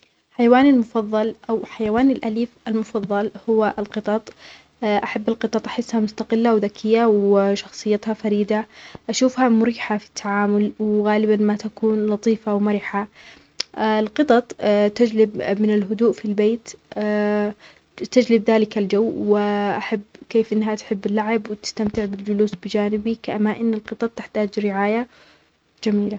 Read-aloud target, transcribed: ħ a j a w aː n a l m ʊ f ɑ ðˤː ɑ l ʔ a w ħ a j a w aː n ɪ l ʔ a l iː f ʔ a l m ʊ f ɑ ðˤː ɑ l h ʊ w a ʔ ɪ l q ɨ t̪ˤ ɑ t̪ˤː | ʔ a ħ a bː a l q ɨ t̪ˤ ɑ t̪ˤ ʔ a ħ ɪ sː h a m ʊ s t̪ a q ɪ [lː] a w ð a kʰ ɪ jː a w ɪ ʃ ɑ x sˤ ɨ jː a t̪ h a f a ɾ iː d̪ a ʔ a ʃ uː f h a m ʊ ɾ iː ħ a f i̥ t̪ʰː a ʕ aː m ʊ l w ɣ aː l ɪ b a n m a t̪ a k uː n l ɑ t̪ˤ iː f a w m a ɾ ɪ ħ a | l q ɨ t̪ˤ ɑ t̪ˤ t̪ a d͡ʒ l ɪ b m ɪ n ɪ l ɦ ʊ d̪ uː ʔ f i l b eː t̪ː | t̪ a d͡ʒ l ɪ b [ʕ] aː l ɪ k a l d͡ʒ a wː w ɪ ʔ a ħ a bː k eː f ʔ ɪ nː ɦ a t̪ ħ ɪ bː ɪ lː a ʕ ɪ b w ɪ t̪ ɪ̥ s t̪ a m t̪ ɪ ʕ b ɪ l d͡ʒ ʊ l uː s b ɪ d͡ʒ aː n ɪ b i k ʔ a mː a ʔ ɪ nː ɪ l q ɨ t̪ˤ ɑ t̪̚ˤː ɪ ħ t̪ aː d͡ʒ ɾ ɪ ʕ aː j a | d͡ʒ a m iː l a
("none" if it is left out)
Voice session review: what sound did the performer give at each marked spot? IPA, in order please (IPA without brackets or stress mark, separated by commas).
lː, ð